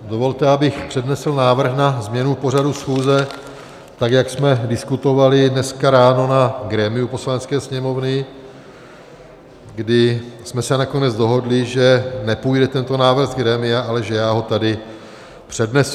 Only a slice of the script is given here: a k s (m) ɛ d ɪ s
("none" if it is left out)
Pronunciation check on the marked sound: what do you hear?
m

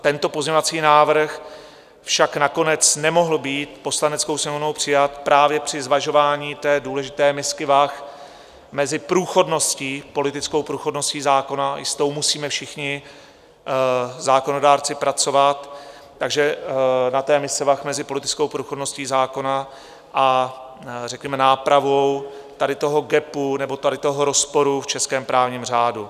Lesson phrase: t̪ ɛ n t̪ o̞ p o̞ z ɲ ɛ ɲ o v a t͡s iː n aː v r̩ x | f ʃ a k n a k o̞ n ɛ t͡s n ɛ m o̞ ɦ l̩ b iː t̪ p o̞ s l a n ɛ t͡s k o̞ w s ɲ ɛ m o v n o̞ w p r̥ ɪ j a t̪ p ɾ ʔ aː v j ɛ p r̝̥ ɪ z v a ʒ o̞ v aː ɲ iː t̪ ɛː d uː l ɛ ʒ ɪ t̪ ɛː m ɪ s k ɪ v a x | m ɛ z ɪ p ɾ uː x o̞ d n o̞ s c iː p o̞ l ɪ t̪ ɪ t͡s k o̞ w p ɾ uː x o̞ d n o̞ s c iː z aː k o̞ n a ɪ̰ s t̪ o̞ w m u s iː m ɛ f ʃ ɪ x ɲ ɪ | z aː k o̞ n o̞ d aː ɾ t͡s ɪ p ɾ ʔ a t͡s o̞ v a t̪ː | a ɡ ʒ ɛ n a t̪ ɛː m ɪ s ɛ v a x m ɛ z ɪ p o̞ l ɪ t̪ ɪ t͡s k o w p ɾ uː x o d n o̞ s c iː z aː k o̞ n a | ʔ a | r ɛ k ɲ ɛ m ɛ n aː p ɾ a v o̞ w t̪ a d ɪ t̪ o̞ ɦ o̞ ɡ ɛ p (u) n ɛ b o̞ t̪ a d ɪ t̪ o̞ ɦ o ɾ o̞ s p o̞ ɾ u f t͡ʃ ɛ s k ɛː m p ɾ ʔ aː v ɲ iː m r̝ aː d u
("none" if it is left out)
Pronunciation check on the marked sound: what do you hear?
u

